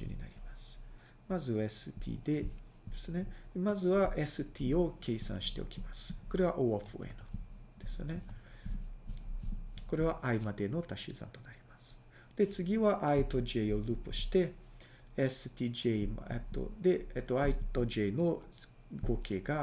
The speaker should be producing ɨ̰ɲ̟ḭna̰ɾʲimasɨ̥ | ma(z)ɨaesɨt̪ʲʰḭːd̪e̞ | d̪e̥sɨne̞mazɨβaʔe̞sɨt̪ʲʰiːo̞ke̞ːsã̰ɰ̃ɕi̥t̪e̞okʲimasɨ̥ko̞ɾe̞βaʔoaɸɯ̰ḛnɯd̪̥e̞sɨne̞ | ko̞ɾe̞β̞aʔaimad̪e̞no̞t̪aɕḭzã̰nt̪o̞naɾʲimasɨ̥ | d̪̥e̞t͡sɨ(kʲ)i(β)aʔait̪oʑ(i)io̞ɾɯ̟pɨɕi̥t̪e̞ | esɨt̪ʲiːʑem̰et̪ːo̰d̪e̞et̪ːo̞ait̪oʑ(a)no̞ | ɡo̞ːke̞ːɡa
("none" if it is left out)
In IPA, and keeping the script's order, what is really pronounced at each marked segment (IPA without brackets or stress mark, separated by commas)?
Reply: z, ɡʲ, β, e, e